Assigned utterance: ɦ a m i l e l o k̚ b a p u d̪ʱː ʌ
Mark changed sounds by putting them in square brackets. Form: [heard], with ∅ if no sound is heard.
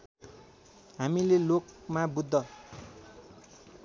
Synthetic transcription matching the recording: ɦ a m i l e l o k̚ [m] a [b] u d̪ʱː ʌ